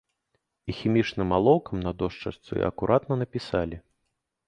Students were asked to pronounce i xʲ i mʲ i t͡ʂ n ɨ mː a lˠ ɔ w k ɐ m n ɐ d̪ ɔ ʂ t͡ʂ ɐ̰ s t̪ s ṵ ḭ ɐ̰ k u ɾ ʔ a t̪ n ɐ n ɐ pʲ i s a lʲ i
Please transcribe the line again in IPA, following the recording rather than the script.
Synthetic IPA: i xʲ i mʲ i t͡ʂ n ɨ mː a lˠ ɔ w k ɐ m n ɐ d̪ ɔ ʂ t͡ʂ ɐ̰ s t̪ s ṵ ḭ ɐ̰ k u ɾ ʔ a t̪ n ɐ n ɐ pʲ i s a lʲ i

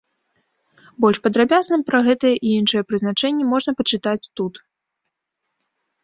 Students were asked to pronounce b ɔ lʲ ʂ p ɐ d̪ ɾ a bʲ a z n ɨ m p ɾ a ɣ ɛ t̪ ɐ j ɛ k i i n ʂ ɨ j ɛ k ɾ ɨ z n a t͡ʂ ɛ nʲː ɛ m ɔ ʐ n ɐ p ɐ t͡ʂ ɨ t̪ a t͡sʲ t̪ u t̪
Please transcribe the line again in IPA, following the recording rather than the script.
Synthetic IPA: b ɔ lʲ ʂ p ɐ d̪ ɾ a bʲ a z n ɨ m p ɾ ɐ ɣ ɛ t̪ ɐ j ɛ ʔ i i n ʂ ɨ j ɛ p ɾ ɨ z n a t͡ʂ ɛ nʲː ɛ m ɔ ʐ n ɐ p ɐ t͡ʂ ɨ t̪ a t͡sʲ t̪ u t̪

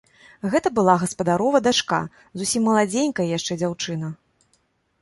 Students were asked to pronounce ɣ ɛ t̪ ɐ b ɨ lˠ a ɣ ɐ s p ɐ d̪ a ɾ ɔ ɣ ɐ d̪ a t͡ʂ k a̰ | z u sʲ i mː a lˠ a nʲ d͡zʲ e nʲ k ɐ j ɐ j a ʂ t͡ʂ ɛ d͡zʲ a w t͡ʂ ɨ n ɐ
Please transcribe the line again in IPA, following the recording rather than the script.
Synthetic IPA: ɣ ɛ t̪ ɐ b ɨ lˠ a ɣ ɐ s p ɐ d̪ a ɾ ɔ v ɐ d̪ a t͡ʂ k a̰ | z u sʲ i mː ɐ lˠ a d͡zʲ e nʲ k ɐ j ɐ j a ʂ t͡ʂ ɛ d͡zʲ a w t͡ʂ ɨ n ɐ

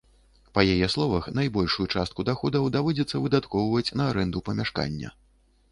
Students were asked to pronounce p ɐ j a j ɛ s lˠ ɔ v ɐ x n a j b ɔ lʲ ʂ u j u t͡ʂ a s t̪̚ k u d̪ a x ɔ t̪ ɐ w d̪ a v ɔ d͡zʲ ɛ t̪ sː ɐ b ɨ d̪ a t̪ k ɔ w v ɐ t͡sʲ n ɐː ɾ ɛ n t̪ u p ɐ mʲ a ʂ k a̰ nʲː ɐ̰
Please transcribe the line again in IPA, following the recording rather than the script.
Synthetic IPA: p ɐ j a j ɛ s lˠ ɔ v ɐ x n a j b ɔ lʲ ʂ u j u t͡ʂ a s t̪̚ k u d̪ a x ɔ d̪ ɐ w d̪ a v ɔ d͡zʲ ɛ t̪ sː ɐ v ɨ d̪ a t̪ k ɔ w v ɐ t͡sʲ n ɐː ɾ ɛ n d̪ u p ɐ mʲ a ʂ k a̰ nʲː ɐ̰

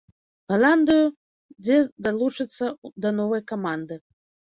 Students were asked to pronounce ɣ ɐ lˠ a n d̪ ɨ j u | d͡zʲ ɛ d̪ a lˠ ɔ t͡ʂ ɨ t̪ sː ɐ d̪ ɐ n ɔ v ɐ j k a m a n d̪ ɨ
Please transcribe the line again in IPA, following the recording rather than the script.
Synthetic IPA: ɣ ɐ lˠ a n d̪ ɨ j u | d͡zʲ ɛ d̪ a lˠ u t͡ʂ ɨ t̪ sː ɐ d̪ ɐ n ɔ v ɐ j k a m a n d̪ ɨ

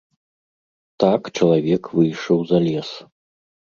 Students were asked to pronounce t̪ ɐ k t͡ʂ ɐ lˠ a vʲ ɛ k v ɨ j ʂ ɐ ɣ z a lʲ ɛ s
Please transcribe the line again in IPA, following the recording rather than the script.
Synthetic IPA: t̪ a k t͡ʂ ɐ lˠ a vʲ ɛ k v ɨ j ʂ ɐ w z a lʲ ɛ s

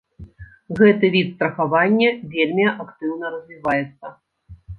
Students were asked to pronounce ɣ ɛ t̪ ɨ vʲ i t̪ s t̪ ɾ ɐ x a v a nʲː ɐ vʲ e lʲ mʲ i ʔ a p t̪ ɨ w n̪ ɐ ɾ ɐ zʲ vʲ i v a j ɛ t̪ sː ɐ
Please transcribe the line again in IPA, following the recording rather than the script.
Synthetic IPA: ɣ ɛ t̪ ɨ vʲ i t̪ s t̪ ɾ ɐ x a v a nʲː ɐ vʲ e lʲ mʲ i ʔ a k t̪ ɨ w n̪ ɐ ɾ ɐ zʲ vʲ i v a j ɛ t̪ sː ɐ

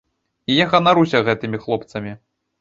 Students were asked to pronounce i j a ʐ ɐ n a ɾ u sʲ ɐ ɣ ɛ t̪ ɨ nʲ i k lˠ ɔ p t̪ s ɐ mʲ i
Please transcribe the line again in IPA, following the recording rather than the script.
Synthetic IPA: i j a ɣ ɐ n a ɾ u sʲ ɐ ɣ ɛ t̪ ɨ mʲ i x lˠ ɔ p t̪ s ɐ mʲ i

